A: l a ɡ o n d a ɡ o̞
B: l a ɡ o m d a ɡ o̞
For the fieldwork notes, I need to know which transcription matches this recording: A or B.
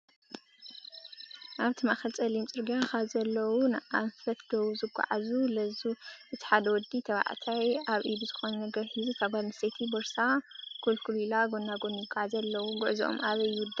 A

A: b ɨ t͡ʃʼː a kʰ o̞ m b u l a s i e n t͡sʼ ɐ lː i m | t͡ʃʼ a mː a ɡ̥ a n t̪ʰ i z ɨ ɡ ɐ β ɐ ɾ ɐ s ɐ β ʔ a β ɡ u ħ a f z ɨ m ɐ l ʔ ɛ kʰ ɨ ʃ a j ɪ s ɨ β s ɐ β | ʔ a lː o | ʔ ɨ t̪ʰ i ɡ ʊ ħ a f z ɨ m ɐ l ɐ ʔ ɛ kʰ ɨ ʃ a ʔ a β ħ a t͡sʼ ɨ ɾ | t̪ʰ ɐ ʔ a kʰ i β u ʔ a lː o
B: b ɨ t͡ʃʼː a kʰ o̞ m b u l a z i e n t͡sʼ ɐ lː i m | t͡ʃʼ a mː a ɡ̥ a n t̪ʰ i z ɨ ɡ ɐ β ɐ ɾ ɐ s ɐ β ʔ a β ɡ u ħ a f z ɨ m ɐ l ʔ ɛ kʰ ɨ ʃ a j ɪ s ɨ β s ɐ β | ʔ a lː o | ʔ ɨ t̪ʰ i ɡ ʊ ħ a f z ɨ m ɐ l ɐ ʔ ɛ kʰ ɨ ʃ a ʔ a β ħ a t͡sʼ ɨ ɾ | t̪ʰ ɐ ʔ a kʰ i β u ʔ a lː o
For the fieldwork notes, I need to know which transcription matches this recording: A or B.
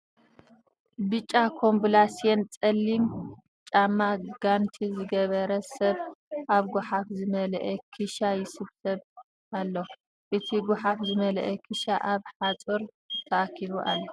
A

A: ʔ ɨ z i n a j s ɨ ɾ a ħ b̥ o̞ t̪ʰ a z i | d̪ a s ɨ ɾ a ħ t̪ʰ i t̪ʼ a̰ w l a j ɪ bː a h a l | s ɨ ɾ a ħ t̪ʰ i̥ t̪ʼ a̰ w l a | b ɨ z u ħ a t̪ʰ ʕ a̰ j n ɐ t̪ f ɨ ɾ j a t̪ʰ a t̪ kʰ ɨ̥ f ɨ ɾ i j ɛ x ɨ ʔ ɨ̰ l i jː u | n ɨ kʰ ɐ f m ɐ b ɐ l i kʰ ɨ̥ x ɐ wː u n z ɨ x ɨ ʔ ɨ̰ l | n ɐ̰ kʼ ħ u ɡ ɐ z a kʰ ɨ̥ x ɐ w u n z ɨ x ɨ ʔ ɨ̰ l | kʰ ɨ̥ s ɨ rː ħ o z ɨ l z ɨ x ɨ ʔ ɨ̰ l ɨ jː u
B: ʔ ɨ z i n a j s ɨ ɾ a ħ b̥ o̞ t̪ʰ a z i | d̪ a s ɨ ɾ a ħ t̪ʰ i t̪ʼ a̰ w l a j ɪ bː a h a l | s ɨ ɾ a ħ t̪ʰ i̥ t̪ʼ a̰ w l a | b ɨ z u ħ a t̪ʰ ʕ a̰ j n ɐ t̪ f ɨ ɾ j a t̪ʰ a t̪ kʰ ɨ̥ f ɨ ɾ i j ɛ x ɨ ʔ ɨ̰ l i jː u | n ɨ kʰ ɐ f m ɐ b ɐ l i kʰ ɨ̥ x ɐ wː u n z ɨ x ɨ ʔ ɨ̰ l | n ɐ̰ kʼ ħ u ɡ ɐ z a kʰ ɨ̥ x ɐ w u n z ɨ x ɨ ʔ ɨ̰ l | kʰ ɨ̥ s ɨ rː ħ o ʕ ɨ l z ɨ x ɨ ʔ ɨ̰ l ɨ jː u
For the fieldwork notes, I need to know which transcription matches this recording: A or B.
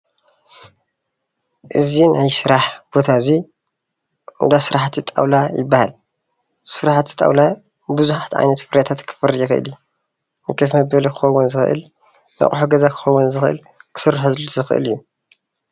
A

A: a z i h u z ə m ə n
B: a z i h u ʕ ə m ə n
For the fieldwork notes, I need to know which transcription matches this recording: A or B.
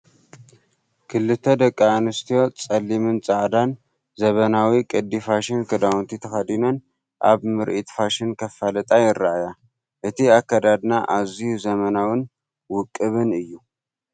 A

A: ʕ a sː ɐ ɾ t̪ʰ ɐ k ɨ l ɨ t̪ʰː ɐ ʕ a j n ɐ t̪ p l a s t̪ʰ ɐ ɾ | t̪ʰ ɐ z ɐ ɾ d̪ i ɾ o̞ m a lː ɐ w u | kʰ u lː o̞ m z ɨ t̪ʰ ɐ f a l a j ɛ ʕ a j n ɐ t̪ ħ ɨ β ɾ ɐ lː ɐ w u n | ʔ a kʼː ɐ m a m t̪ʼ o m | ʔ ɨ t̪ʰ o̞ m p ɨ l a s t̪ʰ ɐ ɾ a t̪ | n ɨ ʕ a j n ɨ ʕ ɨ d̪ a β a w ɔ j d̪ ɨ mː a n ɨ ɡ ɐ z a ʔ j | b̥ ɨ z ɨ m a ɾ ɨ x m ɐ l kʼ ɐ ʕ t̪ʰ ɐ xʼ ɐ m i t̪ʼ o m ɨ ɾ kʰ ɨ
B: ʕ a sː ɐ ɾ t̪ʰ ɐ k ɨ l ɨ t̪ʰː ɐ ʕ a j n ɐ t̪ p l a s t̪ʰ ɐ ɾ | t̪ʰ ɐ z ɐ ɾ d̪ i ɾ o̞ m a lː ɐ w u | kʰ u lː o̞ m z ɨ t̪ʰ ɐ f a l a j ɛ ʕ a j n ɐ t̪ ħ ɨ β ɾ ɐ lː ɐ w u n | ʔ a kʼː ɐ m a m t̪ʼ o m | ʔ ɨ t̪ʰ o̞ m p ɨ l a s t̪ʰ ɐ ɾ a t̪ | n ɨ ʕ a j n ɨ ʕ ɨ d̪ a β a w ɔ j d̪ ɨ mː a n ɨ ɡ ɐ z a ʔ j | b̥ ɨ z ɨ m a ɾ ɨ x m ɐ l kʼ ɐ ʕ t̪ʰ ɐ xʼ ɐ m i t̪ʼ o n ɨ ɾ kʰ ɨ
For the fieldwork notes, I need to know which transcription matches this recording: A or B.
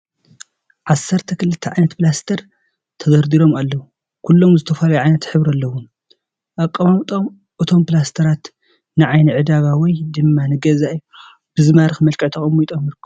A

